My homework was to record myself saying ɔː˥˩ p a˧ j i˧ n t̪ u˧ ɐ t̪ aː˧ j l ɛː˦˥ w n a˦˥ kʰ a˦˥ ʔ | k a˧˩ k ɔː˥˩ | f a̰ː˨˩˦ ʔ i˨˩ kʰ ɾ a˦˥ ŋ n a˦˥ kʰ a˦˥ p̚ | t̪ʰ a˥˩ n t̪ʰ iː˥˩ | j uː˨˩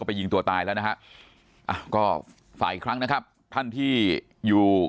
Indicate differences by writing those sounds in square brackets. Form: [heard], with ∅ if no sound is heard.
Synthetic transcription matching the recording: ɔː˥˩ p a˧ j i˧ [ŋ] t̪ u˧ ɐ t̪ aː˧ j l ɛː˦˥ w n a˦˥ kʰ a˦˥ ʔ | [ʔ] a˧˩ k ɔː˥˩ | f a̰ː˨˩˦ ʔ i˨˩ kʰ ɾ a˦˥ ŋ n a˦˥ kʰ a˦˥ p̚ | t̪ʰ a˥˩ n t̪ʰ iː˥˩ | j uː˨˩